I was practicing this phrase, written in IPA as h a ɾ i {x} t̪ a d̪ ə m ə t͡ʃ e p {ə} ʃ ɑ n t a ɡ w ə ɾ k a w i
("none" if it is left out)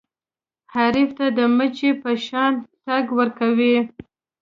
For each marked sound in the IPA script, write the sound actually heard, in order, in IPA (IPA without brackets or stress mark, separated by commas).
f, ə